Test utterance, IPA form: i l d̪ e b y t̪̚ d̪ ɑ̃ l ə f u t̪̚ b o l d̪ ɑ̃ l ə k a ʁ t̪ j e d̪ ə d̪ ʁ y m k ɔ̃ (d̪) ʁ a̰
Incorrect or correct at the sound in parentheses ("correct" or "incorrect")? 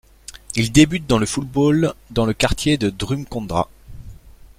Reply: correct